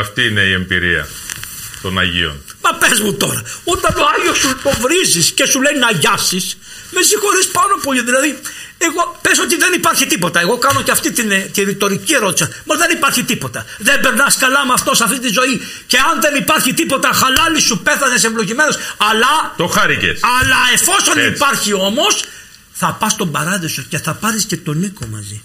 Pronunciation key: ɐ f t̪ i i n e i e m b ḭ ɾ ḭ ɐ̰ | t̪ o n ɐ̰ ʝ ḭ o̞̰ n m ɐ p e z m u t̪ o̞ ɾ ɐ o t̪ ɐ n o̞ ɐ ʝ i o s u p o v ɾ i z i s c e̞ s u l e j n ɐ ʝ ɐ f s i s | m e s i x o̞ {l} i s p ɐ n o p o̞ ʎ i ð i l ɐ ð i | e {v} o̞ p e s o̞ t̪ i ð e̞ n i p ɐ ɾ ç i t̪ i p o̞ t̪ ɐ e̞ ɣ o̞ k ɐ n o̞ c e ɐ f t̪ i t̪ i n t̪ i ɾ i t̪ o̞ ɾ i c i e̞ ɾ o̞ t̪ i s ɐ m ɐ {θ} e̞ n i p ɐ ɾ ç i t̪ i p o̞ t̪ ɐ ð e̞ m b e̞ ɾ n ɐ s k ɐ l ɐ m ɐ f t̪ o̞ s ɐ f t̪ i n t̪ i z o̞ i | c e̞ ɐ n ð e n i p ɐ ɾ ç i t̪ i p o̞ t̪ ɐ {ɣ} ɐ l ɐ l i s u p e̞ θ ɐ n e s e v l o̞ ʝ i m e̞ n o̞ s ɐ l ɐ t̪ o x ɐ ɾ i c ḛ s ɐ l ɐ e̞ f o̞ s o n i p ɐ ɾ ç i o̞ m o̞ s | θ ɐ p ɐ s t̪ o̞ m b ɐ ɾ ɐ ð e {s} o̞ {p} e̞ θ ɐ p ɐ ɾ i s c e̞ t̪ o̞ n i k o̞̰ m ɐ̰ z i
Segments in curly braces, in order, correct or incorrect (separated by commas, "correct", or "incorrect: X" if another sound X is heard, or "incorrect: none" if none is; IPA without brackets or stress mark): incorrect: ɾ, incorrect: ɣ, incorrect: ð, incorrect: x, correct, incorrect: c